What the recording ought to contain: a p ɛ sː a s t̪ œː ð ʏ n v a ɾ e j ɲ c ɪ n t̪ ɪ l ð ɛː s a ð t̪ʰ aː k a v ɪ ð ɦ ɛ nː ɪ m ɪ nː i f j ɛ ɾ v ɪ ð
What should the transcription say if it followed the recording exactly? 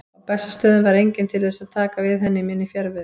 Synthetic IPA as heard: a p ɛ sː a s t̪ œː ð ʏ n v a ɾ e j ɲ c ɪ n t̪ʰ ɪ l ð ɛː s a ð t̪ʰ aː k a v ɪ ð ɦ ɛ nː ɪ m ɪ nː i f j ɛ ɾ v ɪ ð